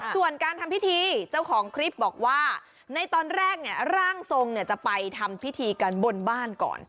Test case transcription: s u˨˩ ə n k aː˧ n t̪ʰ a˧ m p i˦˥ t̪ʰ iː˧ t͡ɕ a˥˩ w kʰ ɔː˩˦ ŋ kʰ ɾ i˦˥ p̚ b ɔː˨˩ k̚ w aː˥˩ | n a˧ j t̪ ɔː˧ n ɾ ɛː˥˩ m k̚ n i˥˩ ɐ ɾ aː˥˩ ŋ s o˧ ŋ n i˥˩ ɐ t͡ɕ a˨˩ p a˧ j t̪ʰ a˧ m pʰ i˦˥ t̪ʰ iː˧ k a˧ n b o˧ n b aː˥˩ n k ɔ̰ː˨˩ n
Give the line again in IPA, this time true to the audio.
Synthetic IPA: s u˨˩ ə n k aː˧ n t̪ʰ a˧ m p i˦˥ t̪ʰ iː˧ t͡ɕ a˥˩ w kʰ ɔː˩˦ ŋ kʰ ɾ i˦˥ p̚ b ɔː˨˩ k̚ w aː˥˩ | n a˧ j t̪ ɔː˧ n ɾ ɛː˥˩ k̚ n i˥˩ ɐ ɾ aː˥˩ ŋ s o˧ ŋ n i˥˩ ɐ t͡ɕ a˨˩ p a˧ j t̪ʰ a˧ m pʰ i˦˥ t̪ʰ iː˧ k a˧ n b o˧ n b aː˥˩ n k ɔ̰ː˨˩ n